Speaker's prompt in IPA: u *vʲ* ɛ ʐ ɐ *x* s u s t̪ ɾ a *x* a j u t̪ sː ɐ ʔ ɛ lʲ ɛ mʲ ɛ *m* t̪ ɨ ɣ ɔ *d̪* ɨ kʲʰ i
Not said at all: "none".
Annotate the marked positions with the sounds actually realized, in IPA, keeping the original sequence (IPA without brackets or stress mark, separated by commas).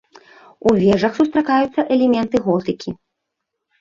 vʲ, x, k, n, t̪